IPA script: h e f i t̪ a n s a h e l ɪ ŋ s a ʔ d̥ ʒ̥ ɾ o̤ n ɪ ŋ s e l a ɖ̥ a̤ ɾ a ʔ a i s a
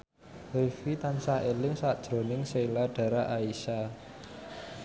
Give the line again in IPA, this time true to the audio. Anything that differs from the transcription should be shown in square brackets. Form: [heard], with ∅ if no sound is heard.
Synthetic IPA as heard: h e f i t̪ a n s a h e l ɪ ŋ s a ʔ d̥ ʒ̥ ɾ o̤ n ɪ ŋ s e l a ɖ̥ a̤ ɾ a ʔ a i s a